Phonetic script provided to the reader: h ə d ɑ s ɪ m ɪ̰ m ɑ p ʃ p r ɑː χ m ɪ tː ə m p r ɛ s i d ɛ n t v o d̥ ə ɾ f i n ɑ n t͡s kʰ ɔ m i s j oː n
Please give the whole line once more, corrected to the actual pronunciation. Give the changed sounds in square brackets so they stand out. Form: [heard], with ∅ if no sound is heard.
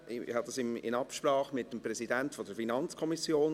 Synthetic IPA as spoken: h [ɑ] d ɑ s ɪ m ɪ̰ [n] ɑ p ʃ p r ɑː χ m ɪ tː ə m p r ɛ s i d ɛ n t [f] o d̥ ə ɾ f i n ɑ n t͡s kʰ ɔ m i s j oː n